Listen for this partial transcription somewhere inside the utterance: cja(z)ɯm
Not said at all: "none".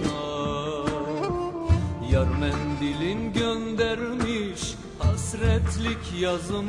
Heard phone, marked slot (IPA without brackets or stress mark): z